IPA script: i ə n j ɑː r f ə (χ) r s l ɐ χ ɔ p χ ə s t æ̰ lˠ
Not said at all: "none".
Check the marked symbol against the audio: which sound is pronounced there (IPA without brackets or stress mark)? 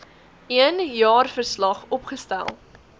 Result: none